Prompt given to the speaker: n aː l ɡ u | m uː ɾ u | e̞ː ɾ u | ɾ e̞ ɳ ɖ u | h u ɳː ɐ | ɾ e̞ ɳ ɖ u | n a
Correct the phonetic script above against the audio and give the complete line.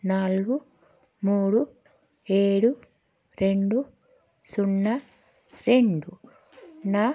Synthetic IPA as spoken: n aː l ɡ u | m uː ɽ u | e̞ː ɽ u | ɾ e̞ ɳ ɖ u | s u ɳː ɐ | ɾ e̞ ɳ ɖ u | n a